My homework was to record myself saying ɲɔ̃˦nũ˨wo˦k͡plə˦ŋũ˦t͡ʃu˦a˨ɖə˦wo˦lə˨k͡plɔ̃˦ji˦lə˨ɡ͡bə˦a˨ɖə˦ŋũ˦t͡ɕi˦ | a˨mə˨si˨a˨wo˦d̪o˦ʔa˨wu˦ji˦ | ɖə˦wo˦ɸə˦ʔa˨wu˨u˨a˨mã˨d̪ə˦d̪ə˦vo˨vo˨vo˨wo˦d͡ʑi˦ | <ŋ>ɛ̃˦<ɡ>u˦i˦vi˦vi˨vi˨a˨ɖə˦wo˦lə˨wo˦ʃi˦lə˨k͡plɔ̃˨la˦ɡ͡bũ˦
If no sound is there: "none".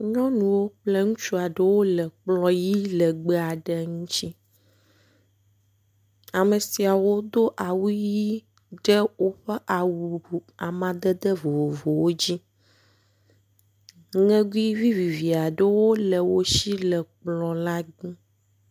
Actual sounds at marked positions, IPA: ŋ, ɡ

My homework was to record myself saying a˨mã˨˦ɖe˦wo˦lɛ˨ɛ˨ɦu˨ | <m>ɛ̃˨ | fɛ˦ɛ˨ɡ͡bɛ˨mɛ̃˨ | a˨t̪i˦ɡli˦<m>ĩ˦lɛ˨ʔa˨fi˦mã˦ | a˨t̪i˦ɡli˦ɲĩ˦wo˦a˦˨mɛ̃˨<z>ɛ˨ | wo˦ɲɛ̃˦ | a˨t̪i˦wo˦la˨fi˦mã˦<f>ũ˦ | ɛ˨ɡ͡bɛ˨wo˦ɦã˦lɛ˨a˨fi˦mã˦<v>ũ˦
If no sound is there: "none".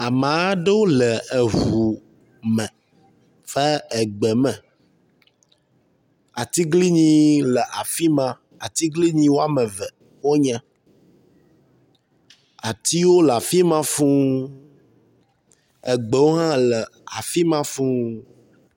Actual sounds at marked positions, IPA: m, ɲ, v, f, f

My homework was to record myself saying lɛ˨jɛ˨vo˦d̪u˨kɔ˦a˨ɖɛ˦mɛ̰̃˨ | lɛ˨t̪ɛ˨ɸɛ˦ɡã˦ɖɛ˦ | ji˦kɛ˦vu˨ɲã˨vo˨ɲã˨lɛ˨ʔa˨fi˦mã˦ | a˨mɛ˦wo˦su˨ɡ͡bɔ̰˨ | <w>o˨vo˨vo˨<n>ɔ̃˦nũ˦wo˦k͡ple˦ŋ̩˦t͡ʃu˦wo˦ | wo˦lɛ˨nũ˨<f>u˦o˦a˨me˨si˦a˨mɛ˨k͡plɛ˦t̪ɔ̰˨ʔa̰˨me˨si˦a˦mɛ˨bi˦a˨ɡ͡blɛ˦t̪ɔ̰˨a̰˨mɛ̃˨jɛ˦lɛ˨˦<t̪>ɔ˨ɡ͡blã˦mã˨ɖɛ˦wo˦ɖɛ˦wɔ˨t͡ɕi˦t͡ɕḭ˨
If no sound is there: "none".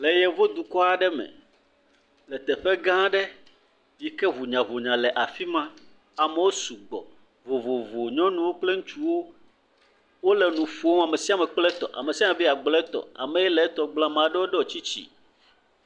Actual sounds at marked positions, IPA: v, ɲ, f, t̪

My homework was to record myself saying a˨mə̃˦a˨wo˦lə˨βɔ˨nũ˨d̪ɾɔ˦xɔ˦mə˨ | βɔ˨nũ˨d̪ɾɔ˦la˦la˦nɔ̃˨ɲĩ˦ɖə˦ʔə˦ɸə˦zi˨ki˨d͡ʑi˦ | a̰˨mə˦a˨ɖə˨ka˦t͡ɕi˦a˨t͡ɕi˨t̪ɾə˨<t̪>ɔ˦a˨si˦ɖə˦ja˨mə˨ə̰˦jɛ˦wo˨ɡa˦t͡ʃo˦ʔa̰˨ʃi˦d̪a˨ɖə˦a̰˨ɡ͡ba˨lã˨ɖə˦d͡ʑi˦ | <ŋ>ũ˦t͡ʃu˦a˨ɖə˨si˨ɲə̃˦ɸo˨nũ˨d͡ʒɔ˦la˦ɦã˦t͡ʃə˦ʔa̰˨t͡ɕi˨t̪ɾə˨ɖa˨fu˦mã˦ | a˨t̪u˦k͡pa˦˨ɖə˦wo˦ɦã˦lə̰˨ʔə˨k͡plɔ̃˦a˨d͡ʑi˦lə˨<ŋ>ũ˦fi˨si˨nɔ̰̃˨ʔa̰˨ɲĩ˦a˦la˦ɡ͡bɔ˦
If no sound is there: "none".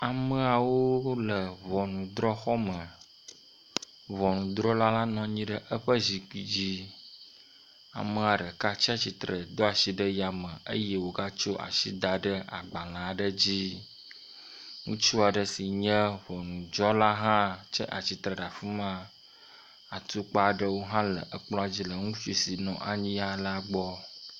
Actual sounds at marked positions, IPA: d̪, ŋ, ŋ

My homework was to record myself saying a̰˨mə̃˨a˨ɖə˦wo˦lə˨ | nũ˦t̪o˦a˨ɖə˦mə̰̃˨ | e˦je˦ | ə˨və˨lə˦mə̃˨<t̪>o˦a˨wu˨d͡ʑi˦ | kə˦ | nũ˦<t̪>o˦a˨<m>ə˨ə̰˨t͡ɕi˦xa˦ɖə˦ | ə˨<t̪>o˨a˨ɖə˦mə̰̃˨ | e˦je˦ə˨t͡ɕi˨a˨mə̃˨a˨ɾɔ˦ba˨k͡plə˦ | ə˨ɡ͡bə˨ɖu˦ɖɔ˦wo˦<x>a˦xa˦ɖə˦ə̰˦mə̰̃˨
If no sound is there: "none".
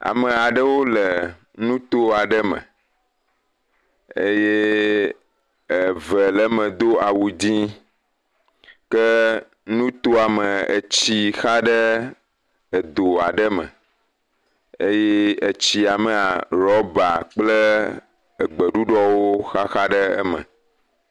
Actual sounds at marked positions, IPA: d̪, t̪, m, d̪, x

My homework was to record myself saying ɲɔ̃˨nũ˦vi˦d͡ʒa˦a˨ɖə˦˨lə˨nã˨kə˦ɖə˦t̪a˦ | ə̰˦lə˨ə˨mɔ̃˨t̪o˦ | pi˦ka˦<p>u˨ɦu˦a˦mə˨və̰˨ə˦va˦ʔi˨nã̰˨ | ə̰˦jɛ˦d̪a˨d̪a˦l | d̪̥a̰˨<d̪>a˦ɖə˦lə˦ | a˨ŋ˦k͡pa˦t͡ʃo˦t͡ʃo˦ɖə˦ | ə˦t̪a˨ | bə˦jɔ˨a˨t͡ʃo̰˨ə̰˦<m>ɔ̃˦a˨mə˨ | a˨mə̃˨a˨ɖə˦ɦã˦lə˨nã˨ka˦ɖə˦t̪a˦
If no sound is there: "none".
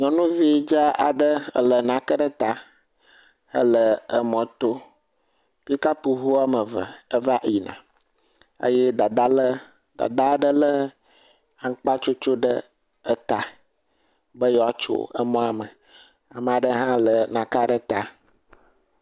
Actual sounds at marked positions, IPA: p, d̪, m

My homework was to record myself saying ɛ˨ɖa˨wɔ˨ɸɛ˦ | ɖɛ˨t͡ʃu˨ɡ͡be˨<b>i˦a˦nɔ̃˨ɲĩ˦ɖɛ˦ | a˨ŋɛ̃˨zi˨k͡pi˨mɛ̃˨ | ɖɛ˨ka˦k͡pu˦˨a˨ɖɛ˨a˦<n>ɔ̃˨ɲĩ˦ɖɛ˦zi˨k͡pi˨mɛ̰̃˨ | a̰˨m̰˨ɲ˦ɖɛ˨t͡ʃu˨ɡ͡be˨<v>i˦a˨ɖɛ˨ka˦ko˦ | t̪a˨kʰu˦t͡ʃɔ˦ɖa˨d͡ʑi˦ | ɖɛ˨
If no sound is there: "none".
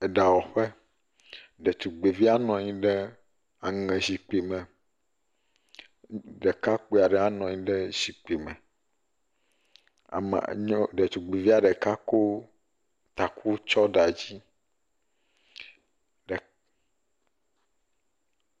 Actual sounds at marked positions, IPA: v, n, v

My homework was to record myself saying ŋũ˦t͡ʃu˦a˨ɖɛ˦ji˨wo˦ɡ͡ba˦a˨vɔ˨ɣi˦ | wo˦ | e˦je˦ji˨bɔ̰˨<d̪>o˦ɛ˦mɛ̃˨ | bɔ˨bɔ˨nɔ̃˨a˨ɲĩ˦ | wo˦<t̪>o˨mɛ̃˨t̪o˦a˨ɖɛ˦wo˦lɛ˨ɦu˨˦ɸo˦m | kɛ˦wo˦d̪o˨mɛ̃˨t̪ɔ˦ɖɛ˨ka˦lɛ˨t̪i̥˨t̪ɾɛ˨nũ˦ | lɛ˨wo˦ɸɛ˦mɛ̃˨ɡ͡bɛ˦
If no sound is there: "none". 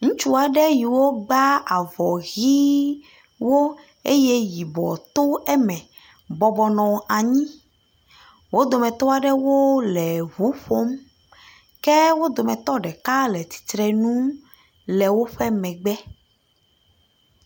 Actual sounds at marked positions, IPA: t̪, d̪

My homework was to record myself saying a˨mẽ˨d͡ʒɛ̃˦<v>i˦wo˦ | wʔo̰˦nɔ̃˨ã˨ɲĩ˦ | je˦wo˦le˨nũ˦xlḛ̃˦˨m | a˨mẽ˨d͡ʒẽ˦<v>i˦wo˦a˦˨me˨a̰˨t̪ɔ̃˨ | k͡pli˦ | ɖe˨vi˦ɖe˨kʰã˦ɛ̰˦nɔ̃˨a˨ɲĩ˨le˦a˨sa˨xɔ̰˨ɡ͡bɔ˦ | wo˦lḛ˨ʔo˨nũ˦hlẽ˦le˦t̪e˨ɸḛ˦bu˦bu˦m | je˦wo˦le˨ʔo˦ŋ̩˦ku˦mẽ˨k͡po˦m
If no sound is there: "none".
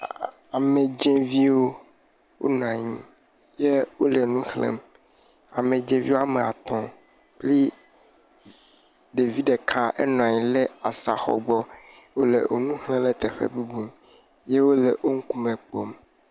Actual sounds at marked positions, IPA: v, v

